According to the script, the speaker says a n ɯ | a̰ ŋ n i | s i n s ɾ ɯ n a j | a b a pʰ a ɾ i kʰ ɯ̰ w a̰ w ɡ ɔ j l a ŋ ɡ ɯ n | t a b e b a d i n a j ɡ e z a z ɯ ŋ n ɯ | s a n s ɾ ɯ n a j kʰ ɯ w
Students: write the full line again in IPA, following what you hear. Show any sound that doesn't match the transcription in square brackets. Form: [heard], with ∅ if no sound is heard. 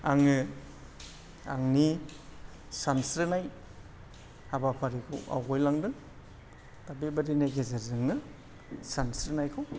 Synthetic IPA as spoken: a [ŋ] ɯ | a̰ ŋ n i | s [a] n s ɾ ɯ n a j | a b a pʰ a ɾ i kʰ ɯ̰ w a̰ w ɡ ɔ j l a ŋ [d] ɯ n | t a b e b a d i n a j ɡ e z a z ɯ ŋ n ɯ | s a n s ɾ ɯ n a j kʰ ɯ w